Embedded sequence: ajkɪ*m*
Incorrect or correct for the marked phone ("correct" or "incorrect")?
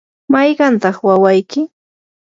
incorrect